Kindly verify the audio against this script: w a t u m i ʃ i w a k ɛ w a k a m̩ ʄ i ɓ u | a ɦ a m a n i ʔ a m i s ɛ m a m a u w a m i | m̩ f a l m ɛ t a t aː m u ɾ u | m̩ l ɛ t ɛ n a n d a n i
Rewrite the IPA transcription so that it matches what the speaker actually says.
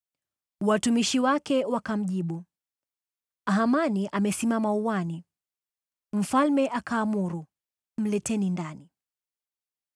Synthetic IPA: w a t u m i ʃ i w a k ɛ w a k a m̩ ʄ i ɓ u | a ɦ a m a n i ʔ a m ɛ s i m a m a u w a n i | m̩ f a l m ɛ ʔ a k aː m u ɾ u | m̩ l ɛ t ɛ n i n d a n i